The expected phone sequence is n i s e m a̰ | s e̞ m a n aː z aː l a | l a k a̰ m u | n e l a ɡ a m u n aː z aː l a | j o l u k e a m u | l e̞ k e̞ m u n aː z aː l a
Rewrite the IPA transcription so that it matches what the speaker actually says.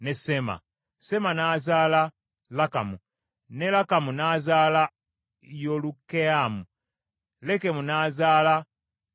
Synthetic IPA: n e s e m a̰ | s e̞ m a n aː z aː l a | l a k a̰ m u | n e l a k a m u n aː z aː l a | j o l u k e a m u | l e̞ k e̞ m u n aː z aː l a

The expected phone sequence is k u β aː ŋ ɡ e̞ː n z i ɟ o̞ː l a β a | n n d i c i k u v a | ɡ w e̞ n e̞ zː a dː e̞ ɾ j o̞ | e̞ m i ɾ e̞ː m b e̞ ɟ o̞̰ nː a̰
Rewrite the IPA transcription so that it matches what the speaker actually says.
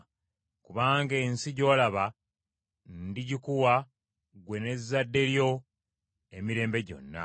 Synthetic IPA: k u β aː ŋ ɡ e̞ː n s i ɟ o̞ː l a β a | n n d i ɟ i k u w a | ɡ w e̞ n e̞ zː a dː e̞ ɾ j o̞ | e̞ m i ɾ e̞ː m b e̞ ɟ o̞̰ nː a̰

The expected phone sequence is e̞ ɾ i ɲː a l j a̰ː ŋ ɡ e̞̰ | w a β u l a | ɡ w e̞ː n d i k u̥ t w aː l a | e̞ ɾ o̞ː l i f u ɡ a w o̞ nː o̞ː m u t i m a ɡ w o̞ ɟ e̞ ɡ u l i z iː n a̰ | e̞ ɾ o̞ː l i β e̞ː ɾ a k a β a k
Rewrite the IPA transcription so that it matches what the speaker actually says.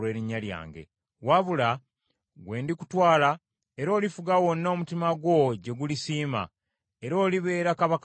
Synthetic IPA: e̞ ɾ i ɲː a l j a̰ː ŋ ɡ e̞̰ | w a β u l a | ɡ w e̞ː n d i k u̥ t w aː l a | e̞ ɾ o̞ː l i f u ɡ a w o̞ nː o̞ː m u t i m a ɡ w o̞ ɟ e̞ ɡ u l i s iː m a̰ | e̞ ɾ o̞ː l i β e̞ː ɾ a k a β a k

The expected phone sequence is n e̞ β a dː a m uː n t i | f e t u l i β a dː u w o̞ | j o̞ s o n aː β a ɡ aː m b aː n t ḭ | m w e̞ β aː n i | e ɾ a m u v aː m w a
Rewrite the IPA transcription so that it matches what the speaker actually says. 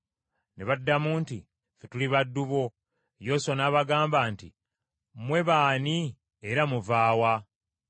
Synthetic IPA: n e̞ β a dː a m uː n t i | f e t u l i β a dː u β o̞ | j o̞ s o n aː β a ɡ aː m b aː n t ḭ | m w e̞ β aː n i | e ɾ a m u v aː w a

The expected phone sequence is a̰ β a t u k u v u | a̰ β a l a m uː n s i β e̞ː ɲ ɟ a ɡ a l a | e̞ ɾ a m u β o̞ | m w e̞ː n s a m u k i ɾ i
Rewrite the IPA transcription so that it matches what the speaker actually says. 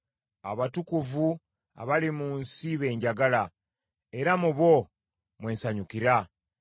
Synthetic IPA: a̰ β a t u k u v u | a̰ β a l i m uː n s i β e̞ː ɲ ɟ a ɡ a l a | e̞ ɾ a m u β o̞ | m w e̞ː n s a ɲ u k i ɾ a

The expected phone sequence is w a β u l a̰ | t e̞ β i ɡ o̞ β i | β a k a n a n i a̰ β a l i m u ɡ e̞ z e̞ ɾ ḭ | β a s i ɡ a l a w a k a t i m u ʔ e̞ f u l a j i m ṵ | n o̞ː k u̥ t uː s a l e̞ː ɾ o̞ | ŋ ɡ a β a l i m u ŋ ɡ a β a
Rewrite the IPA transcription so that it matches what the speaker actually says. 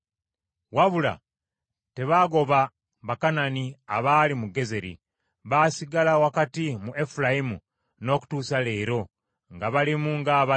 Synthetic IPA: w a β u l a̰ | t e̞ β a ɡ o̞ β a | β a k a n a n i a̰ β a l i m u ɡ e̞ z e̞ ɾ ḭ | β a s i ɡ a l a w a k a t i m u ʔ e̞ f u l a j i m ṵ | n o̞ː k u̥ t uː s a l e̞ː ɾ o̞ | ŋ ɡ a β a l i m u ŋ ɡ a β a

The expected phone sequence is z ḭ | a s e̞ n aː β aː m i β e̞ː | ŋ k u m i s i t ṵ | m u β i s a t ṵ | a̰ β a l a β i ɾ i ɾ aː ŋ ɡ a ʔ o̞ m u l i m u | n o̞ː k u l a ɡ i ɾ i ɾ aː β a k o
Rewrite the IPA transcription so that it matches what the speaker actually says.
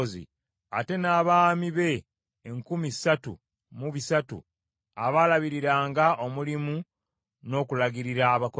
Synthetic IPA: z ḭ | a t e̞ n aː β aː m i β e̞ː | ŋ k u m i s a t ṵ | m u β i s a t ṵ | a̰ β a l a β i ɾ i ɾ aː ŋ ɡ a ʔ o̞ m u l i m u | n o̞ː k u l a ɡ i ɾ i ɾ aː β a k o

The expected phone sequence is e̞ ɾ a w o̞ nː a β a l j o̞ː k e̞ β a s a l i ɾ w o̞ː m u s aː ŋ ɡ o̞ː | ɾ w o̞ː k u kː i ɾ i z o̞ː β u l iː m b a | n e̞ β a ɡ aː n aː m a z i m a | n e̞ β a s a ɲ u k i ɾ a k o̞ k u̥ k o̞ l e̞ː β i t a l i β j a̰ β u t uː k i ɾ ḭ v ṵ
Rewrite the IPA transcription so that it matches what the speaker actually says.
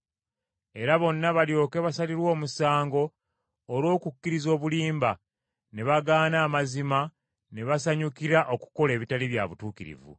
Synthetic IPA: e̞ ɾ a β o̞ nː a β a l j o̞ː k e̞ β a s a l i ɾ w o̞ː m u s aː ŋ ɡ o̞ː | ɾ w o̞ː k u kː i ɾ i z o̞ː β u l iː m b a | n e̞ β a ɡ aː n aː m a z i m a | n e̞ β a s a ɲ u k i ɾ a ʔ o̞ k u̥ k o̞ l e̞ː β i t a l i β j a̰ β u t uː k i ɾ ḭ v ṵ

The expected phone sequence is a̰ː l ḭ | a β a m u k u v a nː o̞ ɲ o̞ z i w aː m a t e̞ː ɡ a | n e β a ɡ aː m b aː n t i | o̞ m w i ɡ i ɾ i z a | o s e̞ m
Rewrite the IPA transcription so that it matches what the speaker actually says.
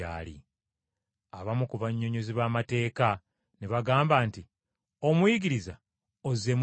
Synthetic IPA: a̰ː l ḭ | a β a m u k u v a ɲː o̞ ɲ o̞ z i β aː m a t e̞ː k a | n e β a ɡ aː m b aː n t i | o̞ m w i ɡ i ɾ i z a | o z e̞ m

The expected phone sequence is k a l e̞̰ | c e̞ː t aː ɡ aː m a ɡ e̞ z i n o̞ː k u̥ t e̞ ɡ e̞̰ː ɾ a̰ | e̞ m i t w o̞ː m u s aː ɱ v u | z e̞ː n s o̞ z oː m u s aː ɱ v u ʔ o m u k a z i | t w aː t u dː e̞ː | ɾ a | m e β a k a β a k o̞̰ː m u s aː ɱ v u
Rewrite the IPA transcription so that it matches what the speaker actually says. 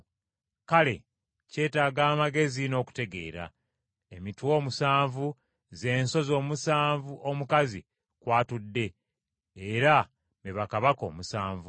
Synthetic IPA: k a l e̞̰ | c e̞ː t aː ɡ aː m a ɡ e̞ z i n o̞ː k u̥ t e̞ ɡ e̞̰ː ɾ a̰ | e̞ m i t w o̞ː m u s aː ɱ v u | z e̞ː n s o̞ z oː m u s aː ɱ v u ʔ o m u k a z i | k w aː t u dː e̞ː | ɾ a | m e β a k a β a k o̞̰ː m u s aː ɱ v u

